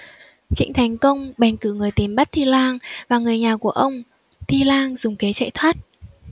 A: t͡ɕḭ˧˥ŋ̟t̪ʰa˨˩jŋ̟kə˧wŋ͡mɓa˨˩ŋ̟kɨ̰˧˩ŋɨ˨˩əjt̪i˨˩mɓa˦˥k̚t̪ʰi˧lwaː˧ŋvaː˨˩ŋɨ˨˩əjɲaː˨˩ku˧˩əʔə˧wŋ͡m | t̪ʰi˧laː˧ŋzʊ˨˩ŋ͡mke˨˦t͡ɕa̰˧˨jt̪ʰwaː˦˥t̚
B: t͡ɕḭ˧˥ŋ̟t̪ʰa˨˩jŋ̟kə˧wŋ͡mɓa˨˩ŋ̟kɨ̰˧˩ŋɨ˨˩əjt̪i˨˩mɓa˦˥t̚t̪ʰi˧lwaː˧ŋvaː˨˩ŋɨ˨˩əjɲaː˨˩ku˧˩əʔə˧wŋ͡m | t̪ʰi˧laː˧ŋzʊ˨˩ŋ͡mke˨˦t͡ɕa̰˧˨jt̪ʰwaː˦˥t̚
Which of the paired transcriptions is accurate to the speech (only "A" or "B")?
B